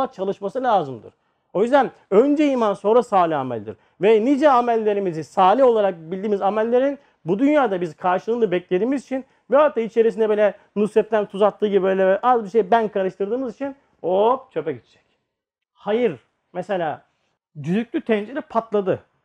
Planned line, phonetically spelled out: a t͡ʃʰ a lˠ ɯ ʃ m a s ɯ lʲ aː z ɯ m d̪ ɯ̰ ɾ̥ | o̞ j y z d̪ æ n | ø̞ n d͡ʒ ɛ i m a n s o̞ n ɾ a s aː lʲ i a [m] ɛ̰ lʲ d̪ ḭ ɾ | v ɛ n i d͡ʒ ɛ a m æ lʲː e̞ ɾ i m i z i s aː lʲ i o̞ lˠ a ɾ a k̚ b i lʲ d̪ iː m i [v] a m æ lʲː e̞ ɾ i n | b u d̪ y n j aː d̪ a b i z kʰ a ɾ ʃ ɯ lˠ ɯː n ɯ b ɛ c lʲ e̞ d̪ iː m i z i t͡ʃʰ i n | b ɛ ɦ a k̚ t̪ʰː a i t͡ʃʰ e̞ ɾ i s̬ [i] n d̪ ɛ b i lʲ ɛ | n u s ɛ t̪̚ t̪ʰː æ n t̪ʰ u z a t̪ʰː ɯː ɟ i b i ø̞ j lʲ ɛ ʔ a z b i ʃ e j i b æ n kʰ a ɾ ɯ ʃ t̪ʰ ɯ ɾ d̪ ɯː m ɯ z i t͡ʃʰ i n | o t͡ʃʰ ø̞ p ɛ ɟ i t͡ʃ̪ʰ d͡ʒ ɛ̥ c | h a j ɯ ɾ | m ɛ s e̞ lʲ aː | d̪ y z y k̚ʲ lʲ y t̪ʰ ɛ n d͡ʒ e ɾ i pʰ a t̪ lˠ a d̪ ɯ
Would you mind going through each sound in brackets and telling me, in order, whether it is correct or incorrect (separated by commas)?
correct, incorrect, correct